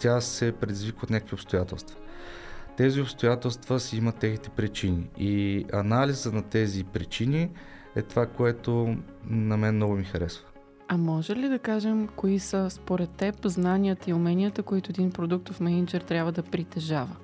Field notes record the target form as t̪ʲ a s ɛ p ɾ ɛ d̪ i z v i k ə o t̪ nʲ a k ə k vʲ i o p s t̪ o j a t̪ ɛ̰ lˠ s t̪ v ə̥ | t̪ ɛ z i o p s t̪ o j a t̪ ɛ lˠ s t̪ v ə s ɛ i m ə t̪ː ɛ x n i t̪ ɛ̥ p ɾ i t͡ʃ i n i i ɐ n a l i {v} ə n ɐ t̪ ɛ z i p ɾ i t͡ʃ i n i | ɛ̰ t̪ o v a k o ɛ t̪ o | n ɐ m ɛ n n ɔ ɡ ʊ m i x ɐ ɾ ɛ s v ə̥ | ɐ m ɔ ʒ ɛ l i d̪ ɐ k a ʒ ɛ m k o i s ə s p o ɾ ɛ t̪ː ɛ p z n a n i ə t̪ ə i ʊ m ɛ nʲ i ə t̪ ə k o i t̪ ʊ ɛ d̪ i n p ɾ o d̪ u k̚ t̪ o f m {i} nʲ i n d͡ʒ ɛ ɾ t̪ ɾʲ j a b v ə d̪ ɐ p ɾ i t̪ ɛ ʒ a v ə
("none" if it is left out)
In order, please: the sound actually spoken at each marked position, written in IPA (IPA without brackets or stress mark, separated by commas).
z, ɛ